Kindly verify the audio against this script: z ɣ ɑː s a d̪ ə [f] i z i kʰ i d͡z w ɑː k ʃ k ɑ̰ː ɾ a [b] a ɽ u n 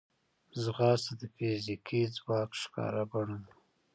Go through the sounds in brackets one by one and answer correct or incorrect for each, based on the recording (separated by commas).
correct, correct